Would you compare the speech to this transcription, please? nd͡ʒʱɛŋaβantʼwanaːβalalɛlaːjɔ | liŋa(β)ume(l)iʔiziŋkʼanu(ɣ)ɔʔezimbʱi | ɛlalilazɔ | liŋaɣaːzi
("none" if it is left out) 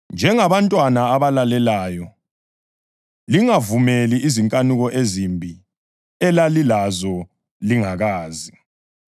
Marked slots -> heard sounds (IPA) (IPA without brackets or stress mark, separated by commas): v, l, ɣ